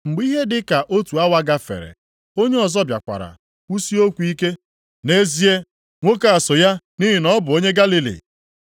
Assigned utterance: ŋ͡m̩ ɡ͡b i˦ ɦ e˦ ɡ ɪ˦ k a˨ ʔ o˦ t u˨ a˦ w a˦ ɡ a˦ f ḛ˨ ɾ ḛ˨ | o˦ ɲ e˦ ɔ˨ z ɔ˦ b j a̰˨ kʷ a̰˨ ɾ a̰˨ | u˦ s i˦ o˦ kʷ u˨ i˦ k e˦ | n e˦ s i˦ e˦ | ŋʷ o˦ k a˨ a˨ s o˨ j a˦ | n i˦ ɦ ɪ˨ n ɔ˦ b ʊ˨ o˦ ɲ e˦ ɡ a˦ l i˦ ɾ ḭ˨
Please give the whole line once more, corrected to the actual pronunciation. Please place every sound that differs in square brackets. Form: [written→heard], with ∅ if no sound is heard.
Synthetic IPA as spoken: ŋ͡m̩ ɡ͡b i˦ ɦ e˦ [ɡ→d] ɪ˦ k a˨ ʔ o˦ t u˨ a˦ w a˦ ɡ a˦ f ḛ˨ ɾ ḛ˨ | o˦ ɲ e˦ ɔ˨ z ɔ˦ b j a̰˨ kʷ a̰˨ ɾ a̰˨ | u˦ s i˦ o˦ kʷ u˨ i˦ k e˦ | n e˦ [s→z] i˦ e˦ | ŋʷ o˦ k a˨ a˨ s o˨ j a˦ | n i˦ ɦ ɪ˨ n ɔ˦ b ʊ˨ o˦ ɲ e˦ ɡ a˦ l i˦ [ɾ→l] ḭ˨